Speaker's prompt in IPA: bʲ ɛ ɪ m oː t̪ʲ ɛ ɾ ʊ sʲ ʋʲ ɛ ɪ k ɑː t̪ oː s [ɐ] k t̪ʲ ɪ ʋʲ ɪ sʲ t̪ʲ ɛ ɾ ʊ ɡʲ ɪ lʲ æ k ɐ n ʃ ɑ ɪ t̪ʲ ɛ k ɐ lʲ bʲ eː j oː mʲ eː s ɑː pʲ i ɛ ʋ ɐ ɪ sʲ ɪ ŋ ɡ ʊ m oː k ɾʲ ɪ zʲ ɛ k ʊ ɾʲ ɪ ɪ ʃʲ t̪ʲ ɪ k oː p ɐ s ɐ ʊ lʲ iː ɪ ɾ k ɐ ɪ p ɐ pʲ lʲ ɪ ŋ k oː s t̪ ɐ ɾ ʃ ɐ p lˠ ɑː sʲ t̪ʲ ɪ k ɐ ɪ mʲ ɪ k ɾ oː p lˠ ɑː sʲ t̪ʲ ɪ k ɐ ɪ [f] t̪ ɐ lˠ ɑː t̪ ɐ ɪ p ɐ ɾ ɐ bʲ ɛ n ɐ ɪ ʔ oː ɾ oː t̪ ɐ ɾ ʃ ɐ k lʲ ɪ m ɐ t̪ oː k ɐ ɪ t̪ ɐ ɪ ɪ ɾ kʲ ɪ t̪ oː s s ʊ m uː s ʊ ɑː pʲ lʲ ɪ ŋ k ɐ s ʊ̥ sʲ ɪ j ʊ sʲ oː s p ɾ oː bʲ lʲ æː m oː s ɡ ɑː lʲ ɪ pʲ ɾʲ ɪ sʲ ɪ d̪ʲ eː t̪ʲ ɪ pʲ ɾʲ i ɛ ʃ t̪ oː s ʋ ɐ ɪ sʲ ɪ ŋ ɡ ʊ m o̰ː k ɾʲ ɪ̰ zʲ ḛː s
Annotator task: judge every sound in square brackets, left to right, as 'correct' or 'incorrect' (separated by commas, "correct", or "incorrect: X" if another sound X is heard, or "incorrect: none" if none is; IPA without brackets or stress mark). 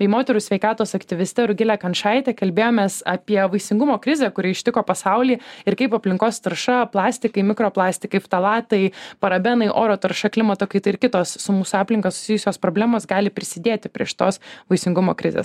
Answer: correct, correct